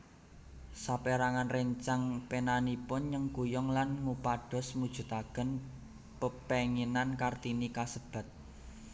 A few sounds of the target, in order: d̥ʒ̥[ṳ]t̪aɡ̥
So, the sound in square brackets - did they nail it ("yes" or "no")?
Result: yes